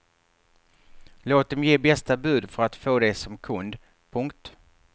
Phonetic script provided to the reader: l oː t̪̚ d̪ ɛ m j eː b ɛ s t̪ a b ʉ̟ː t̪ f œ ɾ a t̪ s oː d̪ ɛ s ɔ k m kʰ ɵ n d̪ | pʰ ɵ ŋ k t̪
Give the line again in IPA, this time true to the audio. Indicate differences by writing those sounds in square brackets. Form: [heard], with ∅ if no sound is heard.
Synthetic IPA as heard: l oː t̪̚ d̪ ɛ m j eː b ɛ s t̪ a b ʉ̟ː [d̪] f œ ɾ a t̪ [f] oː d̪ ɛ s ɔ [∅] m kʰ ɵ n d̪ | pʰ ɵ ŋ k t̪